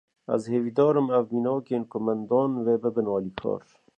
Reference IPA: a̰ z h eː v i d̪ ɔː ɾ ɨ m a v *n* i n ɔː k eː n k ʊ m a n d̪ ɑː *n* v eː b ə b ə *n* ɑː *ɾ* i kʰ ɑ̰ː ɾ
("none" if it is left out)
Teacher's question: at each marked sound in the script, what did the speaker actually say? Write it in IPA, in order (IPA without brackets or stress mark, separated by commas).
m, n, n, l